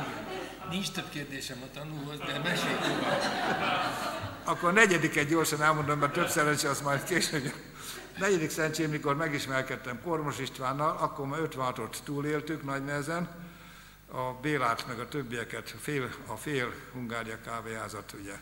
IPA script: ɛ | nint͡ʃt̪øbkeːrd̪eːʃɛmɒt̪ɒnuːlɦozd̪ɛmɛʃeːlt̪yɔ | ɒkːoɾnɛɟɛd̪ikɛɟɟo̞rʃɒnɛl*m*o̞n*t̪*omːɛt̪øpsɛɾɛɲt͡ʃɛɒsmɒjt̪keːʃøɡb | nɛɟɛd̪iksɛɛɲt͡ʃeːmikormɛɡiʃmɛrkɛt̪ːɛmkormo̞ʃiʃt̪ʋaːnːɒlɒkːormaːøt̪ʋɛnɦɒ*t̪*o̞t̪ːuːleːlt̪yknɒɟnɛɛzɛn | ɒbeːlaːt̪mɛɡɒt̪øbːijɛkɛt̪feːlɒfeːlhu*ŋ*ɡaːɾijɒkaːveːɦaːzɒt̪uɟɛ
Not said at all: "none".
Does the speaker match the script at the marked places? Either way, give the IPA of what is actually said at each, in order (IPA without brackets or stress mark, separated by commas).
m, d̪, t̪, ŋ